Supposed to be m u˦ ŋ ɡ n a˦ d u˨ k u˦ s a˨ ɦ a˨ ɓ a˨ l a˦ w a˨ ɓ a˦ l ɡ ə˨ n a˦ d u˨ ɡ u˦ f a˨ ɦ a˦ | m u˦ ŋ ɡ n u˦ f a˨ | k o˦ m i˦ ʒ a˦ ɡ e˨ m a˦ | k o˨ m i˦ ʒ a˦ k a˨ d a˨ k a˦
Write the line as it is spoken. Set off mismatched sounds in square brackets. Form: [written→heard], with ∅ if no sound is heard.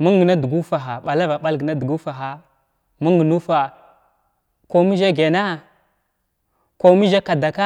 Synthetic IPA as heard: m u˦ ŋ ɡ n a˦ d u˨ [k→ɡ] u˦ [s→f] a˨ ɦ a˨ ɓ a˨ l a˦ [w→v] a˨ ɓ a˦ l ɡ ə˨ n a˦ d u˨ ɡ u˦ f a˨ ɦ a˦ | m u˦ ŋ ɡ n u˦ f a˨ | k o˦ m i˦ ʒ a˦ ɡ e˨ [m→n] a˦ | k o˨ m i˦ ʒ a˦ k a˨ d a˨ k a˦

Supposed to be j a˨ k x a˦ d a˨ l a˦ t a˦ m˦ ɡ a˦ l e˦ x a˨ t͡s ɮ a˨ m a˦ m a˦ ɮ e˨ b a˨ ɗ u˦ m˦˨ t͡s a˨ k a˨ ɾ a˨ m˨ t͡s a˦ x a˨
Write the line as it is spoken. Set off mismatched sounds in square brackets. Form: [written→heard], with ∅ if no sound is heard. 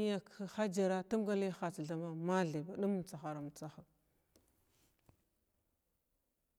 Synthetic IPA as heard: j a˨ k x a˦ [d→d͡ʒ] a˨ [l→ɾ] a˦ t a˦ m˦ ɡ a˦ l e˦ x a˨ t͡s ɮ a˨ m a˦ m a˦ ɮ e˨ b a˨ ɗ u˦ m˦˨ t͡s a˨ [k→x] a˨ ɾ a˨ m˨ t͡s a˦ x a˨

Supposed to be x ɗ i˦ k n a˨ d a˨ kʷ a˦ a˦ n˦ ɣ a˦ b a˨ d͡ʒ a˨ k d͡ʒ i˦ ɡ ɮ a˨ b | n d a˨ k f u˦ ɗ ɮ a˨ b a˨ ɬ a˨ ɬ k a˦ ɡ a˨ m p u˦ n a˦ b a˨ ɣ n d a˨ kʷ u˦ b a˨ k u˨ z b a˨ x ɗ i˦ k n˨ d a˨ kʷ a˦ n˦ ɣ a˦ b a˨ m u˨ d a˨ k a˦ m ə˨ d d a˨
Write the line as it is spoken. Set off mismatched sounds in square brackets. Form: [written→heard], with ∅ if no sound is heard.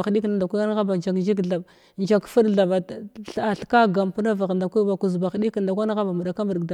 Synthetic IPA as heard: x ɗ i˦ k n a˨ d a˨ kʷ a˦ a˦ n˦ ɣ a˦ b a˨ d͡ʒ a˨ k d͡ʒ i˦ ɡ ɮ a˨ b | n [d→d͡ʒ] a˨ k f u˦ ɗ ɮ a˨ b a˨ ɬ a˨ ɬ k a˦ ɡ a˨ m p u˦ n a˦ [b→v] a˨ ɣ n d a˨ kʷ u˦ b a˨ k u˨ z b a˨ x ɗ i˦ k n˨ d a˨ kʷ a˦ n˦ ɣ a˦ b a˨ m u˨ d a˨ k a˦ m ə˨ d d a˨

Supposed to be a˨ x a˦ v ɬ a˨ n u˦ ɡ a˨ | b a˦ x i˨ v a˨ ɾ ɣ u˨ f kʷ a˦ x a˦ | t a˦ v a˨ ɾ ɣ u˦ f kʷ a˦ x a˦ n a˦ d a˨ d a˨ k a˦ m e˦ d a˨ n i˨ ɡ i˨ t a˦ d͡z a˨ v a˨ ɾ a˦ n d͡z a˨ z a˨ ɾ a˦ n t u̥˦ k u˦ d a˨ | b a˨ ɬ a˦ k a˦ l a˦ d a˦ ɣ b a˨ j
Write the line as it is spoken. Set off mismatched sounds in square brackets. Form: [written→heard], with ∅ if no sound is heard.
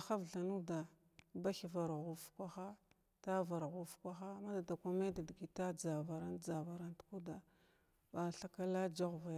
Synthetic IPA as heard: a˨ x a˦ v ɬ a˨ n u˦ [ɡ→d] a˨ | b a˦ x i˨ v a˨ ɾ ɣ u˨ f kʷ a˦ x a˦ | t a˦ v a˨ ɾ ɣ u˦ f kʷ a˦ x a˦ [n→m] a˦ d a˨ d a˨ k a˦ m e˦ d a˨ [n→d] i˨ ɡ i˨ t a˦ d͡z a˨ v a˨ ɾ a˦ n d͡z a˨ [z→v] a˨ ɾ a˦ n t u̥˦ k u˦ d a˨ | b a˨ ɬ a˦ k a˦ l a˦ [d→d͡ʒ] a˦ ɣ [b→v] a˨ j

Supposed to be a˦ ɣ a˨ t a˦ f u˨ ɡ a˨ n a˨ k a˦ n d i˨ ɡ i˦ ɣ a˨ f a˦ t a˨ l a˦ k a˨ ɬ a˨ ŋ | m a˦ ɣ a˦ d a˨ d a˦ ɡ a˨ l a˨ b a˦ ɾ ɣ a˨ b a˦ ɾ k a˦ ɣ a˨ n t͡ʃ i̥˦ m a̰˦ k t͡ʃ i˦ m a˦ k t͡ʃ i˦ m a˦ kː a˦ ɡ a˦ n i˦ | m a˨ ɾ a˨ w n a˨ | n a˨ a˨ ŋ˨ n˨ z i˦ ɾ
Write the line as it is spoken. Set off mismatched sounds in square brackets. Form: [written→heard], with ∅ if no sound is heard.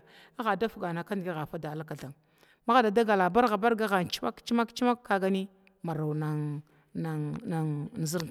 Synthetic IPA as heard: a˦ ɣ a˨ [t→d] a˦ f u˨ ɡ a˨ n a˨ k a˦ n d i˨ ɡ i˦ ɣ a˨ f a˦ [t→d] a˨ l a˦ k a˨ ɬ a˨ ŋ | m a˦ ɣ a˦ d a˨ d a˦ ɡ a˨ l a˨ b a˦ ɾ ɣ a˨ b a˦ ɾ [k→ɡ] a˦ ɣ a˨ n t͡ʃ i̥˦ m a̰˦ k t͡ʃ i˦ m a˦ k t͡ʃ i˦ m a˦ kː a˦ ɡ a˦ n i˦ | m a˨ ɾ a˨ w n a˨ | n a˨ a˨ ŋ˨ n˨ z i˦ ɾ

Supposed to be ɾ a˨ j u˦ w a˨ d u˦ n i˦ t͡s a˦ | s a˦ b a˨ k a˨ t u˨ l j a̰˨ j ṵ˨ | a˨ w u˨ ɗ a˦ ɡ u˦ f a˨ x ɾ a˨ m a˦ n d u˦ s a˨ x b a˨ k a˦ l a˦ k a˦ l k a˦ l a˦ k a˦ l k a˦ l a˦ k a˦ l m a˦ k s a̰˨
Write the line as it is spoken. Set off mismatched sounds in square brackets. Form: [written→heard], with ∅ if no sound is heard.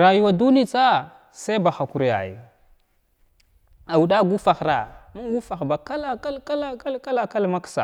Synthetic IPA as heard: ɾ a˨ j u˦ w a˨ d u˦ n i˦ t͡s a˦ | s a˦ b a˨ [k→x] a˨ [t→k] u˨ [l→ɾ] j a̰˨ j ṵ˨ | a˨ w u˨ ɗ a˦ ɡ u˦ f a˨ x ɾ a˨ m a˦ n [d→ɡ] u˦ [s→f] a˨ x b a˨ k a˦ l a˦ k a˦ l k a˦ l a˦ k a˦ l k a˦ l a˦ k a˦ l m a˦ k s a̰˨

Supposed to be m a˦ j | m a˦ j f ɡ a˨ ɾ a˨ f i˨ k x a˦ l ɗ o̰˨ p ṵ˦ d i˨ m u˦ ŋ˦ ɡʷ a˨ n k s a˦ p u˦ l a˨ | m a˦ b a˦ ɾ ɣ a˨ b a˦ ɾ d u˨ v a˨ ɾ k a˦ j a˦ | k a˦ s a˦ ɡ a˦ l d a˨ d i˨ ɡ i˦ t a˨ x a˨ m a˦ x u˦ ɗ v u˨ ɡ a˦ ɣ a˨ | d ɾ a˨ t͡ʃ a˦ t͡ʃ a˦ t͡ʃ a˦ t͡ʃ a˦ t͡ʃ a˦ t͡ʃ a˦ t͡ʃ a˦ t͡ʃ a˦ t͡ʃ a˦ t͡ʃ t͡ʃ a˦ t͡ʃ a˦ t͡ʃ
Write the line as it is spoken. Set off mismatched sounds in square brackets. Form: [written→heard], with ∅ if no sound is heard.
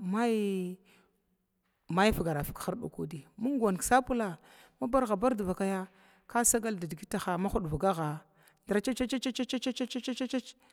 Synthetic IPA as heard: m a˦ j | m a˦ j f ɡ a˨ ɾ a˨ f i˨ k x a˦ [l→ɾ] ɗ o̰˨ [p→k] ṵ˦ d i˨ m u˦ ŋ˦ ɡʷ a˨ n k s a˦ p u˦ l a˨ | m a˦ b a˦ ɾ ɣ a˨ b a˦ ɾ d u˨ v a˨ [ɾ→∅] k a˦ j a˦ | k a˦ s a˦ ɡ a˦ l d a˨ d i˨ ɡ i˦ t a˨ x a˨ m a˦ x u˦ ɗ v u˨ ɡ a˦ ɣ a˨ | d ɾ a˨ t͡ʃ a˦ t͡ʃ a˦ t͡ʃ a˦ t͡ʃ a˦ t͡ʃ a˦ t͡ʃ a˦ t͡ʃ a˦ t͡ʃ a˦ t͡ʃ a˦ t͡ʃ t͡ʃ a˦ t͡ʃ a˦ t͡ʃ

